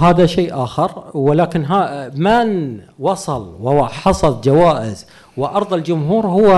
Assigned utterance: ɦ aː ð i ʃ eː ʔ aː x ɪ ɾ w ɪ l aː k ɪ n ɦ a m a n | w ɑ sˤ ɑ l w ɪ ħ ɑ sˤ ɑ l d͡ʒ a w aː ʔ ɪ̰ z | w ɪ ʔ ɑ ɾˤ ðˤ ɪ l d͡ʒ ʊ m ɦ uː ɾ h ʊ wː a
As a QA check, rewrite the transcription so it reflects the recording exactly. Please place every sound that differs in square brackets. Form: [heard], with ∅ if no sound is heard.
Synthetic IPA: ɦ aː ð [a] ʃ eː ʔ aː x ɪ ɾ w ɪ l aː k ɪ n ɦ a m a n | w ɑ sˤ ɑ l w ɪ ħ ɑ sˤ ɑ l d͡ʒ a w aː ʔ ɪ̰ z | w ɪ ʔ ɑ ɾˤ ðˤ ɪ l d͡ʒ ʊ m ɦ uː ɾ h ʊ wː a